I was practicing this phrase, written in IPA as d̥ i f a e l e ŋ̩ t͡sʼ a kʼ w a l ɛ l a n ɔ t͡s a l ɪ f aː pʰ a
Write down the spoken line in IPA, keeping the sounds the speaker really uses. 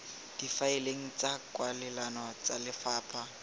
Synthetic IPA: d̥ i f a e l e ŋ̩ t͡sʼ a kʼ w a l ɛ l a n ɔ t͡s a l ɪ f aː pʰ a